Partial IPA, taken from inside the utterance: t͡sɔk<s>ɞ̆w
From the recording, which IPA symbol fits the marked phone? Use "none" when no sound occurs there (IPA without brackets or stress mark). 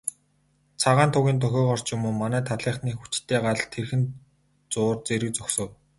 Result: s